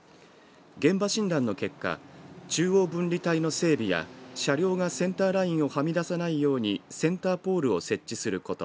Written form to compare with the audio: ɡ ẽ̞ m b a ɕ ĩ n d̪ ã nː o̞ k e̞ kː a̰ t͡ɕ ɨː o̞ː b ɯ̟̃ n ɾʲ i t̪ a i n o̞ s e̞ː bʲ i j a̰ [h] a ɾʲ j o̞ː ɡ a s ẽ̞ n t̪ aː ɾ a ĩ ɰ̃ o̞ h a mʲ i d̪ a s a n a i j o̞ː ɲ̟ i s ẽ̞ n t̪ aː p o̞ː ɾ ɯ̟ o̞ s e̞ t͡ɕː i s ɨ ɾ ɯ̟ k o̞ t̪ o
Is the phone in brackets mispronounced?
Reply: yes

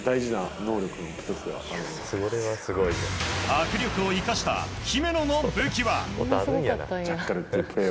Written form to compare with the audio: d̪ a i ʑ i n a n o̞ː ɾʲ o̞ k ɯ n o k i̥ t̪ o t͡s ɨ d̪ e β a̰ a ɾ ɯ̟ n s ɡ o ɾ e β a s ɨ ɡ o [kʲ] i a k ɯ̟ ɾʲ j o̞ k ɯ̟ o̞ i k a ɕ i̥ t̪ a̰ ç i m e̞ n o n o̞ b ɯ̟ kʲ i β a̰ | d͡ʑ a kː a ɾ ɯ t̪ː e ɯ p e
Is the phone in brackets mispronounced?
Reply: yes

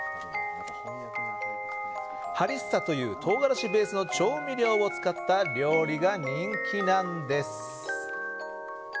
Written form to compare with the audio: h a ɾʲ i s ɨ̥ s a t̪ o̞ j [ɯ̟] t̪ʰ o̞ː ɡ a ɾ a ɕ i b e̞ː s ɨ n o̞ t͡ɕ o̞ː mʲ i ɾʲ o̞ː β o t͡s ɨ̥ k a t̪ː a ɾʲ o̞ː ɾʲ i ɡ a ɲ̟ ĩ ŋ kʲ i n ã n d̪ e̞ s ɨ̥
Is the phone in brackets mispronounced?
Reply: yes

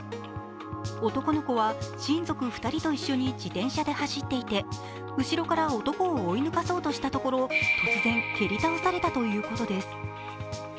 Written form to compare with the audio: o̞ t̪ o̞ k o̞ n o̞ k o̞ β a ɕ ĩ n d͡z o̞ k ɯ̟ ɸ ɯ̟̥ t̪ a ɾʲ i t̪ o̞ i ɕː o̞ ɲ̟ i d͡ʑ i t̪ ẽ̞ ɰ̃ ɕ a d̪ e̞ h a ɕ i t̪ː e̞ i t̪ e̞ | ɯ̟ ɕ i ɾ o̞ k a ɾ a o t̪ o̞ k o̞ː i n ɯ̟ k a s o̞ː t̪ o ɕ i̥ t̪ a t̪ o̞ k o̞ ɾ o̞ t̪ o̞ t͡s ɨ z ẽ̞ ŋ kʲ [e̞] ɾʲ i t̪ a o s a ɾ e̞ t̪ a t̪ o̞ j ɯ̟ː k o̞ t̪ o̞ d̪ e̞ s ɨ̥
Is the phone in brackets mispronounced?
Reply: no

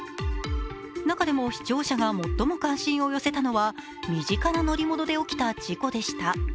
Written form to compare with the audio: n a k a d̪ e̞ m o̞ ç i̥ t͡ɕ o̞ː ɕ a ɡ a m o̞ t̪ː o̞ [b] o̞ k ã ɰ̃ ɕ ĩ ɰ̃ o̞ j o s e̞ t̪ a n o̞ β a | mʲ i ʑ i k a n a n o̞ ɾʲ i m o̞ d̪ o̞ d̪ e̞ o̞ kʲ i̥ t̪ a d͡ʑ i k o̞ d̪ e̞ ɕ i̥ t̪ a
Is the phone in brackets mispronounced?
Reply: yes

